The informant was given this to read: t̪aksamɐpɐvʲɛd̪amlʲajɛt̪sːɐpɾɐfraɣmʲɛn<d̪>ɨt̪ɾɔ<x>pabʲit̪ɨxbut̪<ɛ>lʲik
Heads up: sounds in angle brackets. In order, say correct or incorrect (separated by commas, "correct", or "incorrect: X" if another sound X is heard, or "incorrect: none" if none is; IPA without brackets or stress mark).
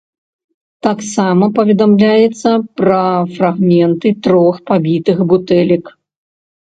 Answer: incorrect: t̪, correct, correct